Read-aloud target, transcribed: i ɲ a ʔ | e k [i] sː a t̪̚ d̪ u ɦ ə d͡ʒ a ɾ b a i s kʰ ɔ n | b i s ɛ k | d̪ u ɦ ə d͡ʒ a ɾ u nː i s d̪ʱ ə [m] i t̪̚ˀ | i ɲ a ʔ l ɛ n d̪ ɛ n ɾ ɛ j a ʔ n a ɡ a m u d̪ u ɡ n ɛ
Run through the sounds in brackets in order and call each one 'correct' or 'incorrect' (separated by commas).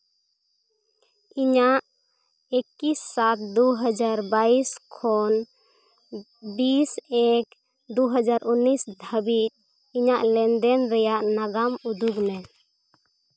correct, incorrect